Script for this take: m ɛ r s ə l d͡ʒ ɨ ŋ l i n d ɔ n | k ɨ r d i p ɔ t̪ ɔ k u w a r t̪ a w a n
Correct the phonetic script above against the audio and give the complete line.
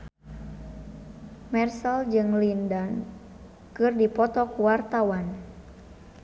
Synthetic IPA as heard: m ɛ r s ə l d͡ʒ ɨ ŋ l i n d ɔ n | k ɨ r d i p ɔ t̪ ɔ k u w a r t̪ a w a n